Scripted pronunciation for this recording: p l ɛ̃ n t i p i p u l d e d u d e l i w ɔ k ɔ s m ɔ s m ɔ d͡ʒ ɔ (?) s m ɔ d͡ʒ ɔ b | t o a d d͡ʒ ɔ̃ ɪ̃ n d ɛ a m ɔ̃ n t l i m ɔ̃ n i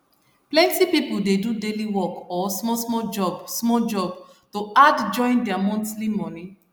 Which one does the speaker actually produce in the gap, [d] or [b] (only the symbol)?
b